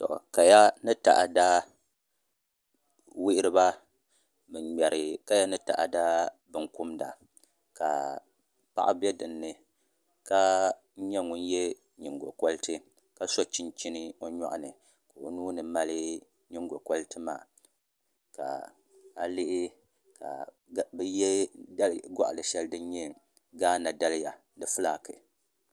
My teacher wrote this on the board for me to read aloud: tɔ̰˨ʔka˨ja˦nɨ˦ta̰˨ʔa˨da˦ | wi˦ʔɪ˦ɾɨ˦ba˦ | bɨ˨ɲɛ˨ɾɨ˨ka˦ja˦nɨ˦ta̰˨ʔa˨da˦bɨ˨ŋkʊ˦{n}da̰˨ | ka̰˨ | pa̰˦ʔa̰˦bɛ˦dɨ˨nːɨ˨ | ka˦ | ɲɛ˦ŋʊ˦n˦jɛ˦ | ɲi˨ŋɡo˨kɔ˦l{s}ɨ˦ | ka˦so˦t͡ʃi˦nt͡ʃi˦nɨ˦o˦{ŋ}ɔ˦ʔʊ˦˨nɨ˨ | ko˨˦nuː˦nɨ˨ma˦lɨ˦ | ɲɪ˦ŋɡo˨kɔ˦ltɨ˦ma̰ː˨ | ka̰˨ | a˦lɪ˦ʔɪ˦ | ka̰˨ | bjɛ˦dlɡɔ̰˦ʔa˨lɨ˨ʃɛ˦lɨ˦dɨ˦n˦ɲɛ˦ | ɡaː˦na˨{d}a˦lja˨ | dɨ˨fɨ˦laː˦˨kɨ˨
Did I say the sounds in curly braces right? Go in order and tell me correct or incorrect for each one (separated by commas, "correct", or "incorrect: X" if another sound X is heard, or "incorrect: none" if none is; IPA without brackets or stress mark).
incorrect: m, incorrect: t, incorrect: ɲ, correct